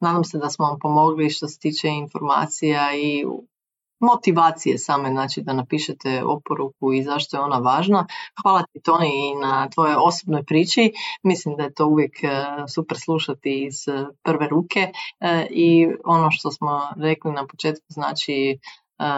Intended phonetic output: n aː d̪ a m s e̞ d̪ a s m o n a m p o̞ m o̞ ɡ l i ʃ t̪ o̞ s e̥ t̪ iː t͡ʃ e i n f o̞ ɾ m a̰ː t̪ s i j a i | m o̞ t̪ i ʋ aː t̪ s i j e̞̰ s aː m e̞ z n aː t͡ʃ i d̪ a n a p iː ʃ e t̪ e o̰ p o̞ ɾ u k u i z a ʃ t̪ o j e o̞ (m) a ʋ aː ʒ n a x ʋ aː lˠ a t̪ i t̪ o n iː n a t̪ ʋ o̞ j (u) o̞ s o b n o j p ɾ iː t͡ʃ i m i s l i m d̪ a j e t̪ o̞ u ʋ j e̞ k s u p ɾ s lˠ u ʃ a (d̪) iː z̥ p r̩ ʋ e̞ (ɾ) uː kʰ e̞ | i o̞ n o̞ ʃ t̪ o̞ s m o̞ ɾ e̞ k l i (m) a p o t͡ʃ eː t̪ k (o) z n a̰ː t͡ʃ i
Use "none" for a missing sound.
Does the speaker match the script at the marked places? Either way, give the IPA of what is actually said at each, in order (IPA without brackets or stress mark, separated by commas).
n, o, t̪, ɾ, n, u